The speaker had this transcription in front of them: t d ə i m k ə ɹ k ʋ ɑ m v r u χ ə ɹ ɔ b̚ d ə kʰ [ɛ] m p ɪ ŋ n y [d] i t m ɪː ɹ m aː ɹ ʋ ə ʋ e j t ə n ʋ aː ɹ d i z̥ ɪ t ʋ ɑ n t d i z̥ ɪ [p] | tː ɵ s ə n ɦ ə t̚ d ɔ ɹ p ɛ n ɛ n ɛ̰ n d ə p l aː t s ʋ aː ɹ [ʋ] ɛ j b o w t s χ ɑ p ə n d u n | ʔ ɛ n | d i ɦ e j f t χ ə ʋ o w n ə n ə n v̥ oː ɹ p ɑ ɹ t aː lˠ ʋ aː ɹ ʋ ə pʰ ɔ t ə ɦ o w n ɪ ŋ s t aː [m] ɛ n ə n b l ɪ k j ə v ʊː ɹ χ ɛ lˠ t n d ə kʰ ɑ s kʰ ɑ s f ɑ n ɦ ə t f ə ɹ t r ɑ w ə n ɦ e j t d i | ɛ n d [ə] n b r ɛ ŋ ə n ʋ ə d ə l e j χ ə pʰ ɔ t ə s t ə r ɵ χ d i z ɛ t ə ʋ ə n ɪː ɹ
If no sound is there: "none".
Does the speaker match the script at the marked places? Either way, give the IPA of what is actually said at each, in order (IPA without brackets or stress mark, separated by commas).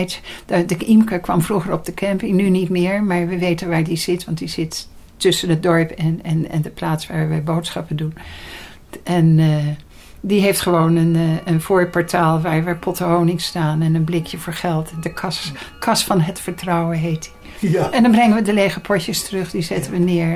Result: ɛ, n, t, ʋ, n, ɑ